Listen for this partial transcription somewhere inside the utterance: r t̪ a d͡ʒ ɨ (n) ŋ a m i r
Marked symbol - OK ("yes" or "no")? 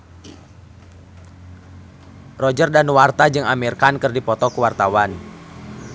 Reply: no